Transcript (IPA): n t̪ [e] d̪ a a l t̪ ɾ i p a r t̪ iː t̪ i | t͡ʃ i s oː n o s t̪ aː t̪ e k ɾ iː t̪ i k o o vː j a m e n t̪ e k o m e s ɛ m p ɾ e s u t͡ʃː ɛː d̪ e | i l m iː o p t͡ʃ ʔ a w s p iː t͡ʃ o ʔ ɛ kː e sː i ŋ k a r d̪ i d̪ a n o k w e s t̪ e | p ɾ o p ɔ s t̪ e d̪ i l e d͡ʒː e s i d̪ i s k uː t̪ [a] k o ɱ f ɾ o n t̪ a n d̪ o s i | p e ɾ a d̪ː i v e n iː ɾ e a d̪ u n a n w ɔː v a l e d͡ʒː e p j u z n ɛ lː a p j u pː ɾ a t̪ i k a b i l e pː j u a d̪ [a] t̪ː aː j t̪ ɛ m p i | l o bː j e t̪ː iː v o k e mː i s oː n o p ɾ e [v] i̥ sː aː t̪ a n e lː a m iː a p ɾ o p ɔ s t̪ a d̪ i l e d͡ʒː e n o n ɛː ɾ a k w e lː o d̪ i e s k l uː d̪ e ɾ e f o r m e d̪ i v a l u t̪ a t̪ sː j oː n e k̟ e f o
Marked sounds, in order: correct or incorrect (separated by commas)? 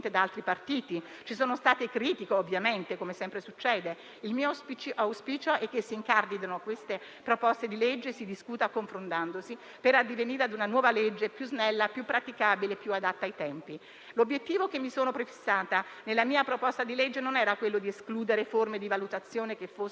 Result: correct, correct, correct, incorrect